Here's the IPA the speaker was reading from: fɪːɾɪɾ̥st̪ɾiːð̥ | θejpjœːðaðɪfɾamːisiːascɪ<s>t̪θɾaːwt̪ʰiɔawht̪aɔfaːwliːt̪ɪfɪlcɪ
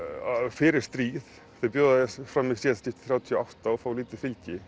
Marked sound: incorrect: f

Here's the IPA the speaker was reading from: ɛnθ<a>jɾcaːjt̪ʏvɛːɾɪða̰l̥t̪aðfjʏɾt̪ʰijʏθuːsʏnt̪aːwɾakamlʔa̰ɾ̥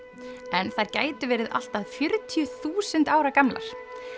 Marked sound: correct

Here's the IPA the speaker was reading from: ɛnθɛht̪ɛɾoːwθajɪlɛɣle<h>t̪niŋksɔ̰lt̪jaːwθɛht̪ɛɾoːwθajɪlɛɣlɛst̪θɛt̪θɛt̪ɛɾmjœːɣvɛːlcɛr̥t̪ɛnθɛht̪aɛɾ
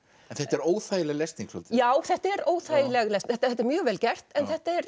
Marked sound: incorrect: s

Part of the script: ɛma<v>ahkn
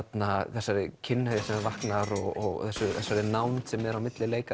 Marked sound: correct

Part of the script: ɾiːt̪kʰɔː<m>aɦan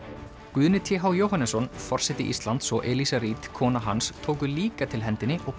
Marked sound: incorrect: n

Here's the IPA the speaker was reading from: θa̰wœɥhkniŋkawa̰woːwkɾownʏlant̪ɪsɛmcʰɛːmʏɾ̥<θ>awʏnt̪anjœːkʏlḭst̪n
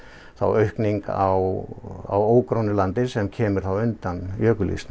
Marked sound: correct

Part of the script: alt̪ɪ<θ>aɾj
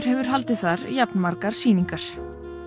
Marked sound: correct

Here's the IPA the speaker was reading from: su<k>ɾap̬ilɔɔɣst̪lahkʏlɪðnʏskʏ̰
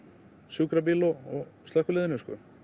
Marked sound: correct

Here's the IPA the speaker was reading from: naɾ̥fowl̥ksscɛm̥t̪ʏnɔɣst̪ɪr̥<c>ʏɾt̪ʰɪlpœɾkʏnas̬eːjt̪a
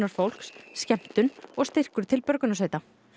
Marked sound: incorrect: k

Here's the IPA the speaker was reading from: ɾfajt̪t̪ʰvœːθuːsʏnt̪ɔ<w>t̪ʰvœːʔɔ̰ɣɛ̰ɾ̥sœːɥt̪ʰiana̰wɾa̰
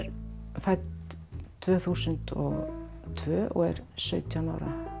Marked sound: incorrect: ɣ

